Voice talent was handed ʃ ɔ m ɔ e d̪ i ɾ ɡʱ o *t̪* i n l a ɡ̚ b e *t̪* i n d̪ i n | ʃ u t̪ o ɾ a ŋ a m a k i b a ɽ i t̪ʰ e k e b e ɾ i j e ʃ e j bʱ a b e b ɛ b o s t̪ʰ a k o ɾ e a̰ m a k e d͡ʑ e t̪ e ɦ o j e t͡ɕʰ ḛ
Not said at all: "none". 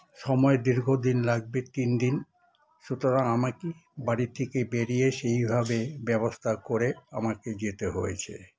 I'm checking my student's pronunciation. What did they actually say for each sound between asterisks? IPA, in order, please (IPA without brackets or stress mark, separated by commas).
d̪, t̪